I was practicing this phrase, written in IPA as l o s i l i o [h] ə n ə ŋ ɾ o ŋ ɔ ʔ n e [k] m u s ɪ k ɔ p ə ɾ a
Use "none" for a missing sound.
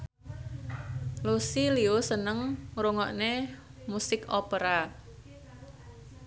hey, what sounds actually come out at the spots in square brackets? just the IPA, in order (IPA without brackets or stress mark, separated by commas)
s, none